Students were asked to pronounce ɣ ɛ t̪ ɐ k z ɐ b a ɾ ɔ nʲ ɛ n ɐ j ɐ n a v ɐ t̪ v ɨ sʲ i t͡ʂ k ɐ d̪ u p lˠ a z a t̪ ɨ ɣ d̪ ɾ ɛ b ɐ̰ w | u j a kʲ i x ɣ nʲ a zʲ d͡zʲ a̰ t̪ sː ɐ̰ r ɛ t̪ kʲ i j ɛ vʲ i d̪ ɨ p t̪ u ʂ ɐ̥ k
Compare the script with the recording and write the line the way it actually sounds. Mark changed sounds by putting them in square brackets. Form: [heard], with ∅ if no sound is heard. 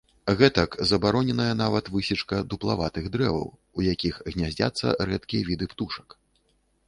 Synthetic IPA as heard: ɣ ɛ t̪ ɐ k z ɐ b a ɾ ɔ nʲ ɛ n ɐ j ɐ n a v ɐ t̪ v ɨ sʲ i t͡ʂ k ɐ d̪ u p lˠ a [v] a t̪ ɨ ɣ d̪ ɾ ɛ [v] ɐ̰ w | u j a kʲ i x ɣ nʲ a zʲ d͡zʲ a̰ t̪ sː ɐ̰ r ɛ t̪ kʲ i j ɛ vʲ i d̪ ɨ p t̪ u ʂ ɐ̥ k